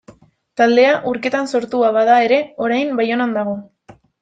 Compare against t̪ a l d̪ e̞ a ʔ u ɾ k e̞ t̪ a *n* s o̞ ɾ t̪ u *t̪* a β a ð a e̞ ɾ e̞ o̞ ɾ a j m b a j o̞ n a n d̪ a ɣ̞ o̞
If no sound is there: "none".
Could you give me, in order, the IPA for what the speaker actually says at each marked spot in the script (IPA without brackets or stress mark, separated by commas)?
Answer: n, none